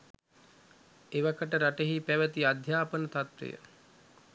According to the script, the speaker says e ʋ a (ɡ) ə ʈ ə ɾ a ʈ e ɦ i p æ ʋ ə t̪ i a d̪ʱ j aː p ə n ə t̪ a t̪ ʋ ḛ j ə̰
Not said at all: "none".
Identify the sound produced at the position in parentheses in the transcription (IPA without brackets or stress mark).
k